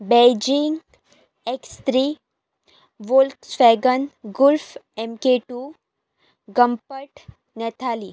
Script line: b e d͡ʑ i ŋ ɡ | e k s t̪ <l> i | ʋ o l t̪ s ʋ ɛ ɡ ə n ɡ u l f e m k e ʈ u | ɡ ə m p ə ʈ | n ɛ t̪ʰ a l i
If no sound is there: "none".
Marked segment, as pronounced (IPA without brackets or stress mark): ɾ